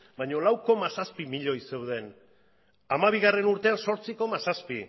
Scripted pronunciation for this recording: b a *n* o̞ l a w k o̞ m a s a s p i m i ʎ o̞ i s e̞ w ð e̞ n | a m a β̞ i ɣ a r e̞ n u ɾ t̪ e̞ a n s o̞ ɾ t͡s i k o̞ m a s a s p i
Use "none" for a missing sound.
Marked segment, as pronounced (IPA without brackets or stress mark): ɲ